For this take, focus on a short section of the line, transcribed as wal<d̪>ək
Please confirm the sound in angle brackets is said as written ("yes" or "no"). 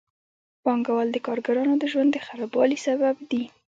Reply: yes